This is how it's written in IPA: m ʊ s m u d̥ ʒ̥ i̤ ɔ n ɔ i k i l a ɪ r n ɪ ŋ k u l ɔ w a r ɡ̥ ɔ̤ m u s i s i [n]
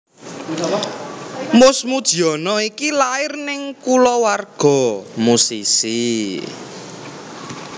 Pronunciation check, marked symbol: incorrect: none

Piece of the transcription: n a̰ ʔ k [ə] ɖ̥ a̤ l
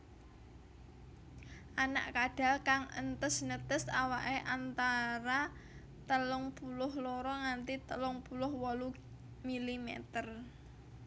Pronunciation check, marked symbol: incorrect: a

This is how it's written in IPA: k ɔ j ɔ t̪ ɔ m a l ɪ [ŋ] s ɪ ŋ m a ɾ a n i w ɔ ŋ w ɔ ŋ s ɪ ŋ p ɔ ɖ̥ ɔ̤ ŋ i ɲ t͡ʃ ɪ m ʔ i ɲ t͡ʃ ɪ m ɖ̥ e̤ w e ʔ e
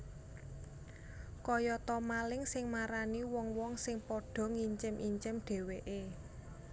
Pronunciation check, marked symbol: correct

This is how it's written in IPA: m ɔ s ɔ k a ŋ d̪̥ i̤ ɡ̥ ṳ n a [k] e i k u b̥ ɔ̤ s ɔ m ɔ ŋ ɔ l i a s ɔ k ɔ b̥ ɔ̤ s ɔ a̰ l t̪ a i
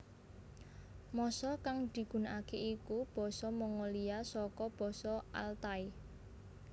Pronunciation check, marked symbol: correct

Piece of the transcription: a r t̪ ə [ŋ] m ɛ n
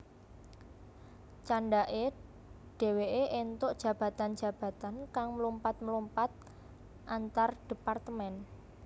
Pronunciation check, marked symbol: incorrect: none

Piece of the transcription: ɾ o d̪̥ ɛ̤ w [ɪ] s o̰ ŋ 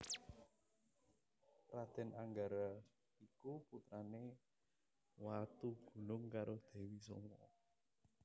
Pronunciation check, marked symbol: incorrect: i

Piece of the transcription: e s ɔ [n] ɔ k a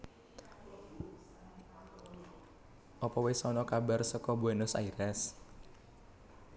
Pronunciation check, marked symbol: correct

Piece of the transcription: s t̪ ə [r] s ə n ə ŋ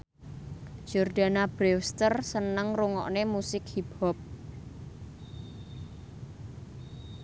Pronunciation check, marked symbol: correct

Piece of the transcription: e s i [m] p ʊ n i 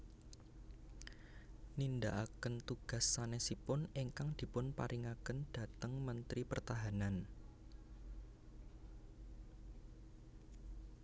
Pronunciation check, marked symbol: incorrect: none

